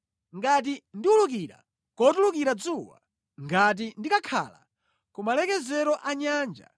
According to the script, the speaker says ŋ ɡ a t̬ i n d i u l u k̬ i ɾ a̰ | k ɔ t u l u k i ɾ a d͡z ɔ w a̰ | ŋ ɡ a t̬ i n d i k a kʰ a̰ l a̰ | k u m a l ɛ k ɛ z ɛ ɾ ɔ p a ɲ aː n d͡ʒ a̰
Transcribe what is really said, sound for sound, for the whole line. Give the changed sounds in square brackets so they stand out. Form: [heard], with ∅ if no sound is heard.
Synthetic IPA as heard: ŋ ɡ a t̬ i n d i u l u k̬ i ɾ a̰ | k ɔ t u l u k i ɾ a d͡z [u] w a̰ | ŋ ɡ a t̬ i n d i k a kʰ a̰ l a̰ | k u m a l ɛ k ɛ z ɛ ɾ ɔ [ʔ] a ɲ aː n d͡ʒ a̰